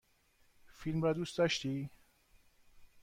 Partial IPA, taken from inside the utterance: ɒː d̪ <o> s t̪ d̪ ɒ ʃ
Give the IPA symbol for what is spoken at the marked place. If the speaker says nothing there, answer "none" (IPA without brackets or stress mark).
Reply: u